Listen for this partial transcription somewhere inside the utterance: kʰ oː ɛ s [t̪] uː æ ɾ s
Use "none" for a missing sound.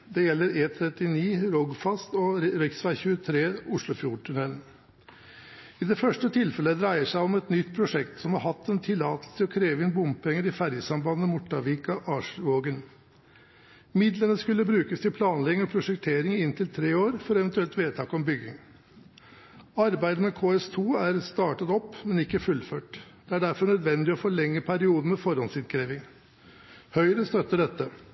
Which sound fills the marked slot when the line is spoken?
t̪ʰ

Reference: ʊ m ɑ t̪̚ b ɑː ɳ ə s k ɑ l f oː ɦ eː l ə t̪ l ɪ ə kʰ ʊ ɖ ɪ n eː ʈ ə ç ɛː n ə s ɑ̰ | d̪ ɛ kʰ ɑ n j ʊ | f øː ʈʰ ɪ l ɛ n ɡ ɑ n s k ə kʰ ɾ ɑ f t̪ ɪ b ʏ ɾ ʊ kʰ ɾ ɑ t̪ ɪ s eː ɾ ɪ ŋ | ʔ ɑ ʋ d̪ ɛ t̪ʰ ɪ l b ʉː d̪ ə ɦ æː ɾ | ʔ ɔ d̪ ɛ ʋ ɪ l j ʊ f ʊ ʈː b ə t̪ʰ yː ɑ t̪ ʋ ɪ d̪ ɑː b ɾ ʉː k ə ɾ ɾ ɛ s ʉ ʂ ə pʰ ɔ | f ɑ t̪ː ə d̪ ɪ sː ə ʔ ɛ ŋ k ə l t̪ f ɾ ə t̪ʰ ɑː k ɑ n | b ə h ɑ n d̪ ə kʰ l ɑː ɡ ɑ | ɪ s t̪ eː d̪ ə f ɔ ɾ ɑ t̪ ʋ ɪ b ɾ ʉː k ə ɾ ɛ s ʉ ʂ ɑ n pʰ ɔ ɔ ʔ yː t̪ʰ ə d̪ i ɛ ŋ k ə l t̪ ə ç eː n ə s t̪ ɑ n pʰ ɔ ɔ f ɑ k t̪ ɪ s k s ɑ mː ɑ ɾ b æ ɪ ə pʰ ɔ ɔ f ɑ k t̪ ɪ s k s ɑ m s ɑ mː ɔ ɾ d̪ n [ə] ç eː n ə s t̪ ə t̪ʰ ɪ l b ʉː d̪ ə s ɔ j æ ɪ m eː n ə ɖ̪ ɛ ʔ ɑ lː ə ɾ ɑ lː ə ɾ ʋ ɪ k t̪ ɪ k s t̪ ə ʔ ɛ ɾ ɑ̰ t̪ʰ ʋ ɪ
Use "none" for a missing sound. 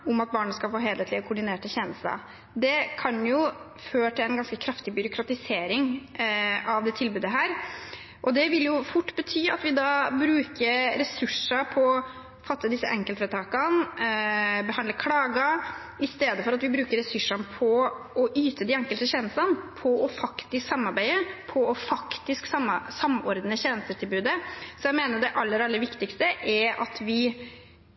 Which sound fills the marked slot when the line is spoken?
ə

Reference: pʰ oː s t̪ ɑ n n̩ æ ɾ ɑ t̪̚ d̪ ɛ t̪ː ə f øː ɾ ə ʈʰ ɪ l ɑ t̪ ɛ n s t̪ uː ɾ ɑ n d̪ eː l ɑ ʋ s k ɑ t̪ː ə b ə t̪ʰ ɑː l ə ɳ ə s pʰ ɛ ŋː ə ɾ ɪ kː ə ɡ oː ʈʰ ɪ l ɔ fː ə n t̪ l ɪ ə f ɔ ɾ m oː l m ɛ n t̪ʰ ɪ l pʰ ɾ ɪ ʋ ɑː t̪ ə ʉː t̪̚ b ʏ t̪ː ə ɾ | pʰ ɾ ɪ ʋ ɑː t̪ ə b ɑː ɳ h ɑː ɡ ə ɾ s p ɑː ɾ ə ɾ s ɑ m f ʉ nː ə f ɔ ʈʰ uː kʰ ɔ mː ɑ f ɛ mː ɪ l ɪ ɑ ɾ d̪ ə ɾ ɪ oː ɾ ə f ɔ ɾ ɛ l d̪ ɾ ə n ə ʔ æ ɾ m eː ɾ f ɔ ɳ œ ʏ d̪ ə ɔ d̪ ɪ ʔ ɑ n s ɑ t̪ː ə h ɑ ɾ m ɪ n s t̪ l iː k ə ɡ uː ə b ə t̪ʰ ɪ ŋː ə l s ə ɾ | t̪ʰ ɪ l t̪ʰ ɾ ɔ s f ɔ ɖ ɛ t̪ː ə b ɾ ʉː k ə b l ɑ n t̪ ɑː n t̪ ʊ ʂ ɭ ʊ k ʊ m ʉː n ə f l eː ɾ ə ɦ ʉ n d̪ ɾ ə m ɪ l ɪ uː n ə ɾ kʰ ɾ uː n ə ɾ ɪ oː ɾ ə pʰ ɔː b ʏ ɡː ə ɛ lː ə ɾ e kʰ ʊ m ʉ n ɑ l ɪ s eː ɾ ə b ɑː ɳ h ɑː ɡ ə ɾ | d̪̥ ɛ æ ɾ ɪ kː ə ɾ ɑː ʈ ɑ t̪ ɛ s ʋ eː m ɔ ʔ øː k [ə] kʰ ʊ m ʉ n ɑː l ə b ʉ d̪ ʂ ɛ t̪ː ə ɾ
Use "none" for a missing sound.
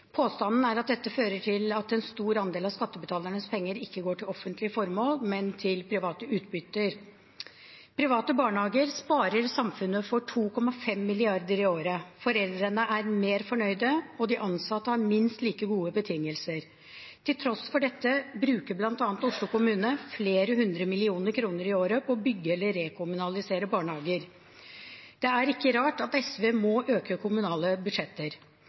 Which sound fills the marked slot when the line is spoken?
ə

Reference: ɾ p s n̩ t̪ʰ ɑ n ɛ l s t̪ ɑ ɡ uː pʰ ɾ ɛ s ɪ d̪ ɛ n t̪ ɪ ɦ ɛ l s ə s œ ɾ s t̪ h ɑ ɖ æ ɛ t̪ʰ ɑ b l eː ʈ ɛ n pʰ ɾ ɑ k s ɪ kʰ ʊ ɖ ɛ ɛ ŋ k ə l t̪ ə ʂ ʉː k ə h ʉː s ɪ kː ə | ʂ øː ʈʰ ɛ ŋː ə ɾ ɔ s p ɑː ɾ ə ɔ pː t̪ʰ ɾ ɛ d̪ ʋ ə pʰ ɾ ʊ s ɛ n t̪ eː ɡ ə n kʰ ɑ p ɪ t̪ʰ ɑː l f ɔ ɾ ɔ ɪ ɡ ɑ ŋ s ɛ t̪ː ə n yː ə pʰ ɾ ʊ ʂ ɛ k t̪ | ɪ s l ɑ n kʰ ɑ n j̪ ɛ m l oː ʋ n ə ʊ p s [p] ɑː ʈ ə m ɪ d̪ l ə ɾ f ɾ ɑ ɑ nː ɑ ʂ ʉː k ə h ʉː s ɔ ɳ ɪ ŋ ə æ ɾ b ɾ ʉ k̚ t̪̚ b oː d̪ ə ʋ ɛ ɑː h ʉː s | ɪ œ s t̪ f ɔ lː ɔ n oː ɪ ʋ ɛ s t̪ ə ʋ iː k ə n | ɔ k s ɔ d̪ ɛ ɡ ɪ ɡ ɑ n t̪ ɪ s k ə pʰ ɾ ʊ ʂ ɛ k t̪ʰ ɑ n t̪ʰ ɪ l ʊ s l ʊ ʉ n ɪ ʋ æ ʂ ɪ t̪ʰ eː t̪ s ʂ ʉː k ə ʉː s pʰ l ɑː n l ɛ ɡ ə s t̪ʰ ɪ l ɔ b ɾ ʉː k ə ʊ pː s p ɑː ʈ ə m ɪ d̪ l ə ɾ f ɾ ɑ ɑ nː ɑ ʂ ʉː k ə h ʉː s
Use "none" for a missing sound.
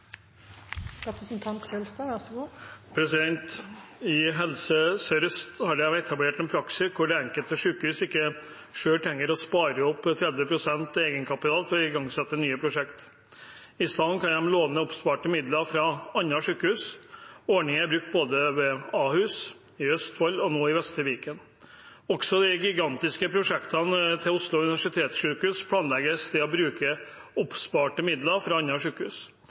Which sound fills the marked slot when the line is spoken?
p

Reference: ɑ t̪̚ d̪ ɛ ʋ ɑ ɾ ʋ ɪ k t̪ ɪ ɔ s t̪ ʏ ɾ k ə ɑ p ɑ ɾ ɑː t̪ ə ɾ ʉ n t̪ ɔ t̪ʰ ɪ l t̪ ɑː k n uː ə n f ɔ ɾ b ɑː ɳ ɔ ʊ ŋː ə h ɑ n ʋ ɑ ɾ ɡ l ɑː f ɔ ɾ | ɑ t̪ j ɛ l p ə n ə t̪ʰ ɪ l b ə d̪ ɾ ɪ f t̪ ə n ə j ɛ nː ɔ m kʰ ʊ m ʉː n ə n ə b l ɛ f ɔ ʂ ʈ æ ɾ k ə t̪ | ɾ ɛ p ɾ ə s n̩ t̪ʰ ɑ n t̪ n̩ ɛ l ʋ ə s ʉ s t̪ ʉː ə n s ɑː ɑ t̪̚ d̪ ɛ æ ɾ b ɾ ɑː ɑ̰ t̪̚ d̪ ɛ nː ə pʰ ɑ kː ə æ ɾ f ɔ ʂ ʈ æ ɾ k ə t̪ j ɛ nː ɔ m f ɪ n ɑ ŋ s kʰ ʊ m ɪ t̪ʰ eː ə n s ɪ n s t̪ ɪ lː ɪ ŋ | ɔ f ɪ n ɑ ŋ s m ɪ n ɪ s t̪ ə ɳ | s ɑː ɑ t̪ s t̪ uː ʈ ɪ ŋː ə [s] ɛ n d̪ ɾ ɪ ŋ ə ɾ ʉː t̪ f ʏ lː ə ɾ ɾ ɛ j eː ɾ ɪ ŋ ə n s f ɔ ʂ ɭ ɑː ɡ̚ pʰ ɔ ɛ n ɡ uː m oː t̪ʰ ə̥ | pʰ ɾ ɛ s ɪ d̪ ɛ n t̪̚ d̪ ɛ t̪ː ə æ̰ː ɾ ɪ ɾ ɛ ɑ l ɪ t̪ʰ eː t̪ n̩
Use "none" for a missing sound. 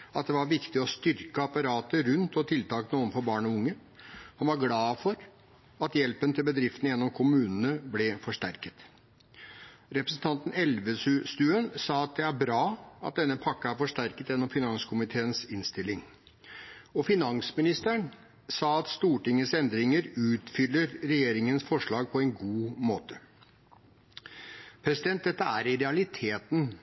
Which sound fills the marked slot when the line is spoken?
s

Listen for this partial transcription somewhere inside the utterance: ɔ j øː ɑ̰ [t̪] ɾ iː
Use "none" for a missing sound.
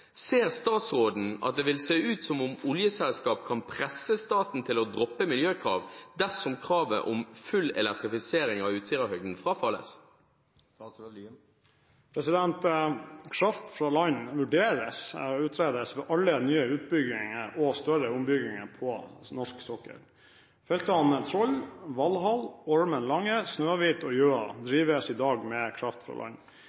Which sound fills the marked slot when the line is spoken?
d̪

